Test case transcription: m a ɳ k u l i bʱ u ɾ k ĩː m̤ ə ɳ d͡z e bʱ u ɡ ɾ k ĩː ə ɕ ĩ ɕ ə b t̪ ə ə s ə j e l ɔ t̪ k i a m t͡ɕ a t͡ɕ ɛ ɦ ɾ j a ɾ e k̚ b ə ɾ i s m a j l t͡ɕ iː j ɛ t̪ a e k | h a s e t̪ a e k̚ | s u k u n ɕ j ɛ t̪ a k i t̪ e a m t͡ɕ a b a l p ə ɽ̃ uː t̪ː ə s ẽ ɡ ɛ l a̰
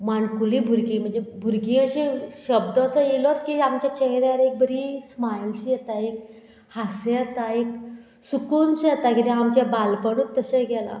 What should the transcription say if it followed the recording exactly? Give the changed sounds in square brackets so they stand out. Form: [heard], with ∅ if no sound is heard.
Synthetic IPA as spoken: m a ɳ k u l i bʱ u ɾ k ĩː m̤ ə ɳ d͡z e bʱ u [∅] ɾ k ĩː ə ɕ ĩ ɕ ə b [d̪] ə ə s ə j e l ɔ t̪ k i a m t͡ɕ a t͡ɕ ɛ ɦ ɾ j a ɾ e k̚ b ə ɾ i s m a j l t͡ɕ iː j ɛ t̪ a e k | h a s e t̪ a e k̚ | s u k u n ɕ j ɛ t̪ a k i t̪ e a m t͡ɕ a b a l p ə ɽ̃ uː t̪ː ə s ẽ ɡ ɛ l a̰